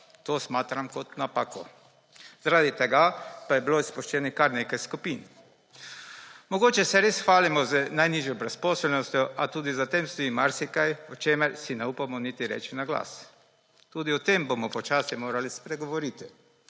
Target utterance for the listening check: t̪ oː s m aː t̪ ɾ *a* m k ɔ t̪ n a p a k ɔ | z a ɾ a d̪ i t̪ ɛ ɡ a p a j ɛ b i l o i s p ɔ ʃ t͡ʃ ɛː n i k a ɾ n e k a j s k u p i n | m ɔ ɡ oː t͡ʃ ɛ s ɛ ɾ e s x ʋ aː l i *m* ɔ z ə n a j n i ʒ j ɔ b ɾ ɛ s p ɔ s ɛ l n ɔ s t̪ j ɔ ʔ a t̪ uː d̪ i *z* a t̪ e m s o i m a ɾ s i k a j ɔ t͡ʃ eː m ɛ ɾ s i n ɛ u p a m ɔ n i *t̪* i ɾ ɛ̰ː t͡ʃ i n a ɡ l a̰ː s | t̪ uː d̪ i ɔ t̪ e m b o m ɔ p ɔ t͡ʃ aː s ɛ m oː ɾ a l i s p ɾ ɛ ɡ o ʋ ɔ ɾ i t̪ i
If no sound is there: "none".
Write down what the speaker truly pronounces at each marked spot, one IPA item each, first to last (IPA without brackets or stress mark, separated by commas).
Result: a, m, z, t̪